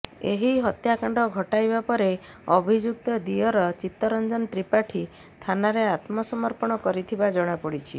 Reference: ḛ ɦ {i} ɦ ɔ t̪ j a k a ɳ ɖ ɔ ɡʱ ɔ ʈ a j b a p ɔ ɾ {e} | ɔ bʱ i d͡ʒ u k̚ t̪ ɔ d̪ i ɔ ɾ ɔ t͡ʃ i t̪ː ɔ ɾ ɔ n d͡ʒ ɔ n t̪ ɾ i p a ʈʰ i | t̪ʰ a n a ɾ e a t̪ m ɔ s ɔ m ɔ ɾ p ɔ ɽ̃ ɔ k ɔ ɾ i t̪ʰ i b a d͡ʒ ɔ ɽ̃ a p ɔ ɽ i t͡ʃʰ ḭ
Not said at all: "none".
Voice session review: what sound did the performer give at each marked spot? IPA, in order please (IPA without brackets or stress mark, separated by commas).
i, e